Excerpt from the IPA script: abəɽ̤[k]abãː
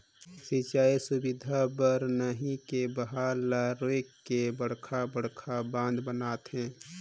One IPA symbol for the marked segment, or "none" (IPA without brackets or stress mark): kʰ